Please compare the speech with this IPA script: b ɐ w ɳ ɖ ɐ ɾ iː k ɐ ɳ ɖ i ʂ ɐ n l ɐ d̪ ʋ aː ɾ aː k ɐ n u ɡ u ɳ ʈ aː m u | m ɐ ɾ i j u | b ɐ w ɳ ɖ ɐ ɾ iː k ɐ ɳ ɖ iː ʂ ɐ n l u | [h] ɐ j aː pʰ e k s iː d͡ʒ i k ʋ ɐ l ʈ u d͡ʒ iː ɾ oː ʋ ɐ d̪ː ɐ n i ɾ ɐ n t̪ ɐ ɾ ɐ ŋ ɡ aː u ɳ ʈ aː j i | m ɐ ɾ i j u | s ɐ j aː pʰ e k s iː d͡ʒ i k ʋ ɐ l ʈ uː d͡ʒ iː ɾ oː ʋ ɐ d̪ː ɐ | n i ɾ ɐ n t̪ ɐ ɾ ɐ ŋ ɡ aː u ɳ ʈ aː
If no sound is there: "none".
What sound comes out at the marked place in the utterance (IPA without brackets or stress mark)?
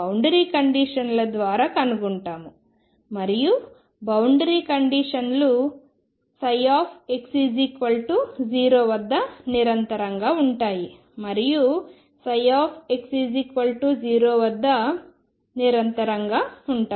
s